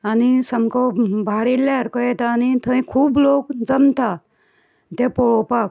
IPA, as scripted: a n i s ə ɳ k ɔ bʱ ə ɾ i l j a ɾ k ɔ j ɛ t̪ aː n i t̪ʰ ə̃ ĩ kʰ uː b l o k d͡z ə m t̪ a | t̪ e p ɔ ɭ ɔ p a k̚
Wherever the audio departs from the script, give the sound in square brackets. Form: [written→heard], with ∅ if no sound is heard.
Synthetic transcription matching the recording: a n i s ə [ɳ→m] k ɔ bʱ [ə→a] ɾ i l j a ɾ k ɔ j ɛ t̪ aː n i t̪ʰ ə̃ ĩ kʰ uː b l o k d͡z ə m t̪ a | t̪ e p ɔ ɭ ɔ p a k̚